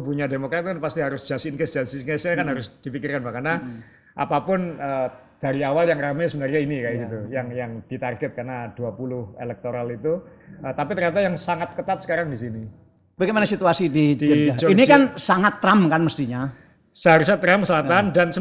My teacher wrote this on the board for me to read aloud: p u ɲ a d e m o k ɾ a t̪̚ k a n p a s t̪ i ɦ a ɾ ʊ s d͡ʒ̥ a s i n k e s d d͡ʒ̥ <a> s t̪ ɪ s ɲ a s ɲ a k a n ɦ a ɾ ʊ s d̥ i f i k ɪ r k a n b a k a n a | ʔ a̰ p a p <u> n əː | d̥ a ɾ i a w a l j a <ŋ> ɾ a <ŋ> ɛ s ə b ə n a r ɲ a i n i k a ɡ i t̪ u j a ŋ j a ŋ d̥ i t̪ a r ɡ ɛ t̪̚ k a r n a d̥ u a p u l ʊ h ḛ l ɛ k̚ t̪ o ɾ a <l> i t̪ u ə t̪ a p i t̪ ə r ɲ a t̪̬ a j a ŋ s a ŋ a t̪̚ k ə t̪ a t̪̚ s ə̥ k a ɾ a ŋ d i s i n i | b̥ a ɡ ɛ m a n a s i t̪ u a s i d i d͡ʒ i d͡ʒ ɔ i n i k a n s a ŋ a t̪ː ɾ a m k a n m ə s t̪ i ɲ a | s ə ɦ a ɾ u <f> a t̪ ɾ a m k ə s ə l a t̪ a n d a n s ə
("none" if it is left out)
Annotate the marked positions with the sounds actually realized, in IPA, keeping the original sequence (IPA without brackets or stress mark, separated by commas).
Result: a, ʊ, ŋ, m, l, s